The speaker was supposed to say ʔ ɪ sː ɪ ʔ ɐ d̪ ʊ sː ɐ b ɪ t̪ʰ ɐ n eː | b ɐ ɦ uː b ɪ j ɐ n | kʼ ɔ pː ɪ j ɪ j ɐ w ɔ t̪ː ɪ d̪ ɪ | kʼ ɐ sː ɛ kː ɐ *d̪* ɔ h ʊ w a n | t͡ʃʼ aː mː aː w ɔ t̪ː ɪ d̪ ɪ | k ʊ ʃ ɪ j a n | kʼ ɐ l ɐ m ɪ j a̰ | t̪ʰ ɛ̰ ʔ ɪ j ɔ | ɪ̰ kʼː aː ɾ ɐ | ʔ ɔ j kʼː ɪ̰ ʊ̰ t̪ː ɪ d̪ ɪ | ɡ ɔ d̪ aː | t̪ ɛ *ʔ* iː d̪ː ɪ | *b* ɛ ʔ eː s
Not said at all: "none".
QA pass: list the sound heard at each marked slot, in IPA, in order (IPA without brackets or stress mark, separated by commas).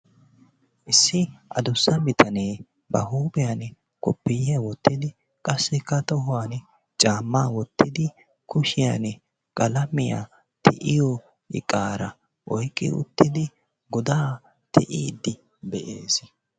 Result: t̪, ʔ, b